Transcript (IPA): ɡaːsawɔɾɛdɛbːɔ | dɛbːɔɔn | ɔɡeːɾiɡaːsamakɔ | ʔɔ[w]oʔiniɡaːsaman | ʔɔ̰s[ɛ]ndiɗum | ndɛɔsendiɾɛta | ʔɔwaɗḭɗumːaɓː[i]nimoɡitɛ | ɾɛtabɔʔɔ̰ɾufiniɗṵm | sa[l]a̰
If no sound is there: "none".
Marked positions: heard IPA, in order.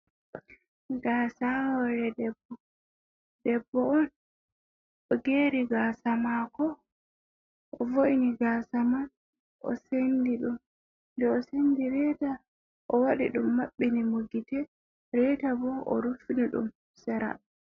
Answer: v, e, i, ɾ

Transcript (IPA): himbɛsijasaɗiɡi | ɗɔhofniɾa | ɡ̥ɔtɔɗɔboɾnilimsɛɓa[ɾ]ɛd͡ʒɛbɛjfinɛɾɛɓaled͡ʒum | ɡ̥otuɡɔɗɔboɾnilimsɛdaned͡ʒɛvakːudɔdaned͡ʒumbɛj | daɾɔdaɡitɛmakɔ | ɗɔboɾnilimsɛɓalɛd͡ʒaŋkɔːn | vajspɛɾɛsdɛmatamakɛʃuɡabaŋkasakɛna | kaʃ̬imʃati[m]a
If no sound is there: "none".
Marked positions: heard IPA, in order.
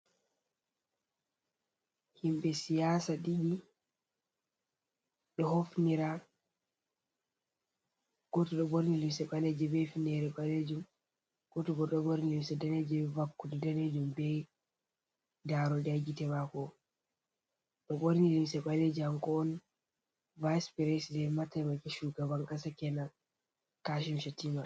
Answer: l, m

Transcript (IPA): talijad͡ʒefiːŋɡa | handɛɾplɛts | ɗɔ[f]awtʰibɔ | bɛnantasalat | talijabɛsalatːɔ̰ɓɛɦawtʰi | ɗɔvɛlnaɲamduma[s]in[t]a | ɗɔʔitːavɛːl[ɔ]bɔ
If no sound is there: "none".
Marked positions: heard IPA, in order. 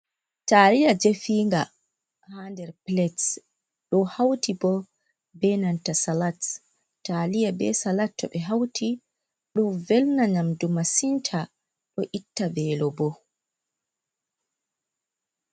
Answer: h, s, tʰ, ɔ

